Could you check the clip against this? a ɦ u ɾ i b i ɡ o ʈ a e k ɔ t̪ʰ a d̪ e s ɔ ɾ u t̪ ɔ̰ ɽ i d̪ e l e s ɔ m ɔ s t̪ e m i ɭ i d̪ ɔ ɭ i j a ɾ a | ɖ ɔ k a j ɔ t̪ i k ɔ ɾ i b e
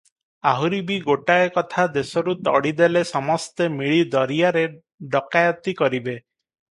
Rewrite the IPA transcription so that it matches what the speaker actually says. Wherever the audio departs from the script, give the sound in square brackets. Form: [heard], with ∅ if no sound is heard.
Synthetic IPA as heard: a ɦ u ɾ i b i ɡ o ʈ a e k ɔ t̪ʰ a d̪ e s ɔ ɾ u t̪ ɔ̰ ɽ i d̪ e l e s ɔ m ɔ s t̪ e m i ɭ i d̪ ɔ [ɾ] i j a ɾ [e] | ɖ ɔ k a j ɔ t̪ i k ɔ ɾ i b e